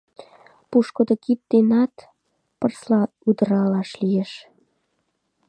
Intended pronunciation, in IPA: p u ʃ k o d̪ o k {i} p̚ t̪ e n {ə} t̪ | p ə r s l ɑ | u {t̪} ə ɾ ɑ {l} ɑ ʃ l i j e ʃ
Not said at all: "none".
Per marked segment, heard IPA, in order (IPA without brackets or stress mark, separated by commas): i, ɑ, d̪, l